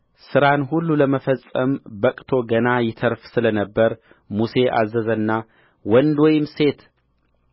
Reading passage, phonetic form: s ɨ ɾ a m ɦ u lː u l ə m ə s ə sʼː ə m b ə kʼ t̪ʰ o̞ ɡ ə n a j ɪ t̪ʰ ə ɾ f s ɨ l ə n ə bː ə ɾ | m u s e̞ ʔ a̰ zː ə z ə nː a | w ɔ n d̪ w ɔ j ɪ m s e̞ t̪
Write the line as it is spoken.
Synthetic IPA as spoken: s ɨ ɾ a n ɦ u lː u l ə m ə f ə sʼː ə m b ə kʼ t̪ʰ o̞ ɡ ə n a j ɪ t̪ʰ ə ɾ f s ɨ l ə n ə bː ə ɾ | m u s e̞ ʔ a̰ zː ə z ə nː a | w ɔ n d̪ w ɔ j ɪ m s e̞ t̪